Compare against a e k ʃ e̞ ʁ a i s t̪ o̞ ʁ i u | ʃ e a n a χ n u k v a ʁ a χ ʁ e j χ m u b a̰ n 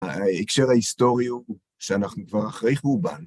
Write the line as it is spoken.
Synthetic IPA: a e k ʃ e̞ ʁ a i s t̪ o̞ ʁ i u | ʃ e a n a χ n u k v a ʁ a χ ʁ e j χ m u b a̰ n